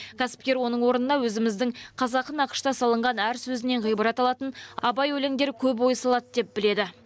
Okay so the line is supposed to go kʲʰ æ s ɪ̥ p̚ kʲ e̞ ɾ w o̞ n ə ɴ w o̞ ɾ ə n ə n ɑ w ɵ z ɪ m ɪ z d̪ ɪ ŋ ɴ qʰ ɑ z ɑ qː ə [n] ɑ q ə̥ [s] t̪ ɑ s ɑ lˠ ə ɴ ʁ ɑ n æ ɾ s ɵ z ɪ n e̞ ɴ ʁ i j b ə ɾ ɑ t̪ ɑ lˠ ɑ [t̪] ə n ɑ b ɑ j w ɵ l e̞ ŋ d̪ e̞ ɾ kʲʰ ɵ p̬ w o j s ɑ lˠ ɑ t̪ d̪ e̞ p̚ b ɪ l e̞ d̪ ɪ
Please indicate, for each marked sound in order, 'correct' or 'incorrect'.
correct, incorrect: ʃ, correct

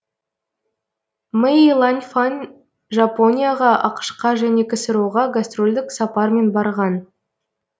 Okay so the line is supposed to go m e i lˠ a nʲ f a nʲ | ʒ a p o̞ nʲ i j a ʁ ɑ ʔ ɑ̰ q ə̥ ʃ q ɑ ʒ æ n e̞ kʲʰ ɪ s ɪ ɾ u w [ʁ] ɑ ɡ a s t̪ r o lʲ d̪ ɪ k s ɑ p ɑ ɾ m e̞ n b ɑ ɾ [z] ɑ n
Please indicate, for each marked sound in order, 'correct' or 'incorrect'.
correct, incorrect: ʁ

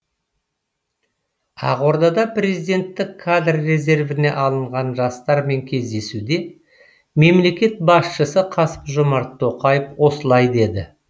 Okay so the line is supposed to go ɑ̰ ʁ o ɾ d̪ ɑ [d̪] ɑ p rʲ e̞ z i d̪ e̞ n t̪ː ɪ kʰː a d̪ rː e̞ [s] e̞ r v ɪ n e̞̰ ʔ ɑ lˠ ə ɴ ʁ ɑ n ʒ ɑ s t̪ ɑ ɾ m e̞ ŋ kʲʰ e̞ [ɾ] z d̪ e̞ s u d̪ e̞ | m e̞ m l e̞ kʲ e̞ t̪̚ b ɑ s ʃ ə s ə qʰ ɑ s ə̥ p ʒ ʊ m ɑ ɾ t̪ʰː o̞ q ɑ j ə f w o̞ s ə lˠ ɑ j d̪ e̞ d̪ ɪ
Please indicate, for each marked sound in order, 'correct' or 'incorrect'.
correct, incorrect: z, incorrect: none

